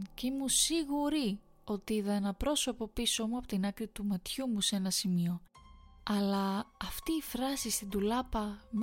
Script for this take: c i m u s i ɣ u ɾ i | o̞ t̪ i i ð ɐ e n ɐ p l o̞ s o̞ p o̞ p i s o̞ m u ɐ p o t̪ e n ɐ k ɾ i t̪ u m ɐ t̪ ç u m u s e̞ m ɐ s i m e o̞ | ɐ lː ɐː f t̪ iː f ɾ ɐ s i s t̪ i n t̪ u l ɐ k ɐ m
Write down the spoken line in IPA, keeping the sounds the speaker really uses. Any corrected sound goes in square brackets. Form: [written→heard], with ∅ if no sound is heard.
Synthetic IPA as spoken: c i m u s i ɣ u ɾ i | o̞ t̪ i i ð ɐ e n ɐ p [l→ɾ] o̞ s o̞ p o̞ p i s o̞ m u ɐ p o t̪ [e→i] n ɐ k ɾ i t̪ u m ɐ t̪ ç u m u s e̞ [m→n] ɐ s i m [e→i] o̞ | ɐ [lː→l] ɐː f t̪ iː f ɾ ɐ s i s t̪ i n [t̪→d̪] u l ɐ [k→p] ɐ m